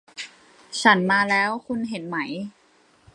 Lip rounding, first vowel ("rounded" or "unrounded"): unrounded